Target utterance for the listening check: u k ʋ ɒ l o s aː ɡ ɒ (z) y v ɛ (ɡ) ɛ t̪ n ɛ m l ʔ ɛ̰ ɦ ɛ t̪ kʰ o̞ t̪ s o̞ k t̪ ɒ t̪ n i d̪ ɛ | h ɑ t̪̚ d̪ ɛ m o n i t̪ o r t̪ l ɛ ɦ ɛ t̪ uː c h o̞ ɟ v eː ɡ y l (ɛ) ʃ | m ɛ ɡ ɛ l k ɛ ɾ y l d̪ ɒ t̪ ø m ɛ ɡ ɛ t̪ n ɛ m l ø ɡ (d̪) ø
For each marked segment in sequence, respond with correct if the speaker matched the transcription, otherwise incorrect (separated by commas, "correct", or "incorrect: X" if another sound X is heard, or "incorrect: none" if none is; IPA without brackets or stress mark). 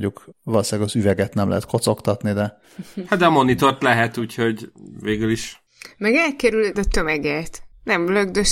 correct, correct, incorrect: i, correct